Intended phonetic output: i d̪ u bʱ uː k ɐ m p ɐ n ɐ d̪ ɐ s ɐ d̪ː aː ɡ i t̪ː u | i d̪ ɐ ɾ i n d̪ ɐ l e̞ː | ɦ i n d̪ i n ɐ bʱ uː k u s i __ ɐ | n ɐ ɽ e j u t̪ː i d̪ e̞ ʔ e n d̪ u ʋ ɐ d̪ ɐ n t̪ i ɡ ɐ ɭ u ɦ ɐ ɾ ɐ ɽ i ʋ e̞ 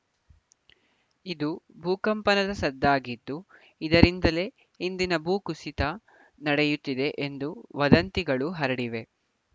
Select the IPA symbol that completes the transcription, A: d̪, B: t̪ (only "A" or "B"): B